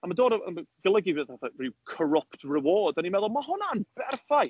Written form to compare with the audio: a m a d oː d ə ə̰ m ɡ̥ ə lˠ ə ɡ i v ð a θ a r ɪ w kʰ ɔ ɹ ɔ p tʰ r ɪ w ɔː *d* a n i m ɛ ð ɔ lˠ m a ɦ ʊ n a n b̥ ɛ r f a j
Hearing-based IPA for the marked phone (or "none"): d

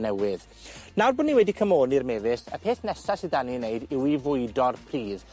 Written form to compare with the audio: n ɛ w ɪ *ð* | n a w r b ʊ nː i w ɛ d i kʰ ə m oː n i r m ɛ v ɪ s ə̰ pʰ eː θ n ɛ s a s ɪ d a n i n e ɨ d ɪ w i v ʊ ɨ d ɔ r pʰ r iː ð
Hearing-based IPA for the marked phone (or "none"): ð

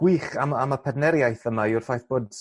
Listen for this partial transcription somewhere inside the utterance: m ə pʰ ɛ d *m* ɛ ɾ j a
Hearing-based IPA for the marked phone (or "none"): n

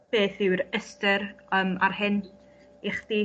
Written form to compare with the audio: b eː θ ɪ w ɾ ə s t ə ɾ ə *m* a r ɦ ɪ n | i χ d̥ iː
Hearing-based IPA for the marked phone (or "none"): m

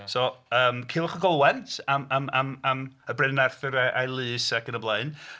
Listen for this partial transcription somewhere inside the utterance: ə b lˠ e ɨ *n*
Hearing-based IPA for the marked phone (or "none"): n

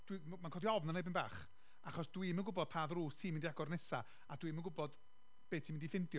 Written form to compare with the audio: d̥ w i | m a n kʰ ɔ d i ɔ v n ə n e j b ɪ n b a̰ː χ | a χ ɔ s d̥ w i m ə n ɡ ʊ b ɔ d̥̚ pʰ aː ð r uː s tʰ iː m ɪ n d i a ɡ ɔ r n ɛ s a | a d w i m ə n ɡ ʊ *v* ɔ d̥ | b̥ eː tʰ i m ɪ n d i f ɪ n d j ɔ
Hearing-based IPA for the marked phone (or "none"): b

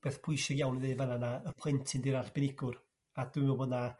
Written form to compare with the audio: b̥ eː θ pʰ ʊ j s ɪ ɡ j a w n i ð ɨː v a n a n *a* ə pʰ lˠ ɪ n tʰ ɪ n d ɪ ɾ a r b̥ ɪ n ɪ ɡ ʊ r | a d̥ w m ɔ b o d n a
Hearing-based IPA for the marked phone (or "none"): a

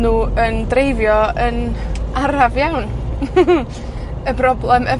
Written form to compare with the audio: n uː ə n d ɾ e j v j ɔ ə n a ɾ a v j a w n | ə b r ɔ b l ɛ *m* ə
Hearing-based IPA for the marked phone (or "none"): m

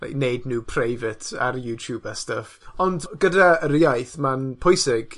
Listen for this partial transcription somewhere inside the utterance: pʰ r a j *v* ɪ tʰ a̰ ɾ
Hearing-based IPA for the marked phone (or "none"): v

